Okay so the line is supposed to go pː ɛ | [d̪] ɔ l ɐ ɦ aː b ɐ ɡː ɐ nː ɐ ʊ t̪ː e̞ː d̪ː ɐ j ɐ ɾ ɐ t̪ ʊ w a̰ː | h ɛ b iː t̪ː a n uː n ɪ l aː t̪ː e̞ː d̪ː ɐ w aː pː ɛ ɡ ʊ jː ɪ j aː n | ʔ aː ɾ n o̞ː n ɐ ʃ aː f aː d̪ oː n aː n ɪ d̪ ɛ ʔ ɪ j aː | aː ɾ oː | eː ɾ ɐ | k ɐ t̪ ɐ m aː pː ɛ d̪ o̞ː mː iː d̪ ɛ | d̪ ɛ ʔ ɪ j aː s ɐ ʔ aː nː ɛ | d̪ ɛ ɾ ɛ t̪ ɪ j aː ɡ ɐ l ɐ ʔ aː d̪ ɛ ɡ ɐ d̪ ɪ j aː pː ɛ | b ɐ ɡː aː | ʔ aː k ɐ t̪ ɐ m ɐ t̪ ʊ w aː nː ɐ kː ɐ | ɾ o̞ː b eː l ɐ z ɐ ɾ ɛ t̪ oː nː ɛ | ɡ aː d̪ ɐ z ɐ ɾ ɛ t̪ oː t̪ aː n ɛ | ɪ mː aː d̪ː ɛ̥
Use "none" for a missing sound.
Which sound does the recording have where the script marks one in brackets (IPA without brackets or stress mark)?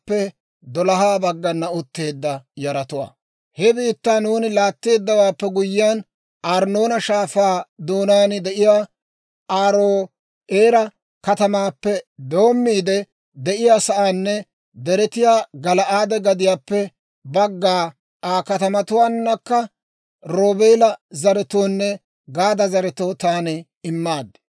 d̪